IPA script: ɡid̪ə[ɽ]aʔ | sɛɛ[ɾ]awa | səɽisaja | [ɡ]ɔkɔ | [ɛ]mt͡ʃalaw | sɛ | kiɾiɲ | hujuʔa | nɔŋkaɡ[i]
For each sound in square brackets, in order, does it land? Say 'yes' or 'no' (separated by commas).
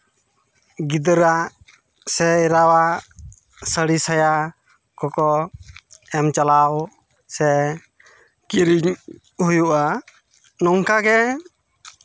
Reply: no, yes, no, yes, no